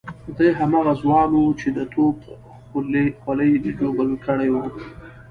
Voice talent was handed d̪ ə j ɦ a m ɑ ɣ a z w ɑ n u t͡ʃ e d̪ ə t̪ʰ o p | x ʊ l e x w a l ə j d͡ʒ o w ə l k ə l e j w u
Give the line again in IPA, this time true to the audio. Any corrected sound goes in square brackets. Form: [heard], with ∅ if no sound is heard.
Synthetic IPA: d̪ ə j ɦ a m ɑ ɣ a z w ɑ n u t͡ʃ e d̪ ə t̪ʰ o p | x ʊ l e x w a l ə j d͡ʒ o [b] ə l k ə [ɽ] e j w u